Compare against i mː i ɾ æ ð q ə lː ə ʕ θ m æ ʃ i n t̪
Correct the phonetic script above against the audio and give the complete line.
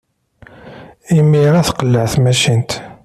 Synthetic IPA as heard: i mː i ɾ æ θ q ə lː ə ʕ θ m æ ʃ i n t̪

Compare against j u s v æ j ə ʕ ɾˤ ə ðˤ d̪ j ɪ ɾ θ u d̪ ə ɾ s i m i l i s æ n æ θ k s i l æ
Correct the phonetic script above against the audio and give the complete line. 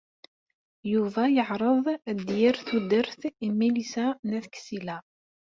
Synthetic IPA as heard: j u v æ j ə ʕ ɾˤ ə ðˤ d̪ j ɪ ɾ θ u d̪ ə ɾ θ i m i l i s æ n æ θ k s i l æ

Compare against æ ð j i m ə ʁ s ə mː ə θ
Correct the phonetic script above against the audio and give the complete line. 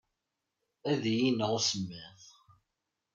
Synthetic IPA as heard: æ ð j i n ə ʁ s ə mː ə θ

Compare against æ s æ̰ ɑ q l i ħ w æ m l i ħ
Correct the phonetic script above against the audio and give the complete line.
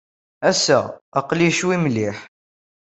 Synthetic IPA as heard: æ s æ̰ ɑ q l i ʃ w i m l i ħ

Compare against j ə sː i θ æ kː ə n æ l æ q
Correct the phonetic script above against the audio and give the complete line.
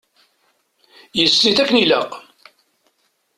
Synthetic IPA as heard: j ə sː i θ æ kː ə n i l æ q

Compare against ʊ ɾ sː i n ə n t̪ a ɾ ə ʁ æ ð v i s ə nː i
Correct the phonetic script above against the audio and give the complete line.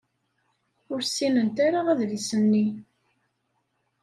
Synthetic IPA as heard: ʊ ɾ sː i n ə n t̪ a ɾ a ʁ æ ð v i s ə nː i

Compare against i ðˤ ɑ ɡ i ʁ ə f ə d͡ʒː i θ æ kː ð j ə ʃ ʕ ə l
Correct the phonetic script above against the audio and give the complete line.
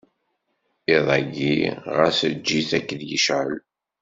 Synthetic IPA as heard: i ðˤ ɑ ɡ i ʁ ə s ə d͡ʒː i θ æ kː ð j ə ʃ ʕ ə l

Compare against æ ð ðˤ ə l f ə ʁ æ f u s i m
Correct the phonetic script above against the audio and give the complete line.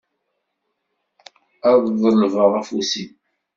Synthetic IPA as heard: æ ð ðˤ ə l v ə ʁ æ f u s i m

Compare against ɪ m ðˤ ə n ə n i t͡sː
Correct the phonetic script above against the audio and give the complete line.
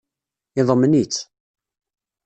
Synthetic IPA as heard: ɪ ðˤ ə m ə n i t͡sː

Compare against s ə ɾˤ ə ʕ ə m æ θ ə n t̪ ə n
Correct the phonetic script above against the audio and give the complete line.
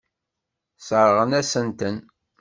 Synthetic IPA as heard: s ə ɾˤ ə ʁ ə n æ s ə n t̪ ə n

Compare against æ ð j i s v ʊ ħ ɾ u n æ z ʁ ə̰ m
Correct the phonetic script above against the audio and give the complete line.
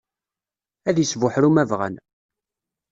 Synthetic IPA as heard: æ ð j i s v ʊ ħ ɾ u m æ v ʁ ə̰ n

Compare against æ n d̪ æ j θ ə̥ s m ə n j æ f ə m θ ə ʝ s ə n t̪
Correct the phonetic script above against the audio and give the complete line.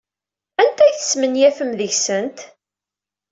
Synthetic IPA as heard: æ n t̪ æ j θ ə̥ s m ə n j æ f ə m ð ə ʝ s ə n t̪

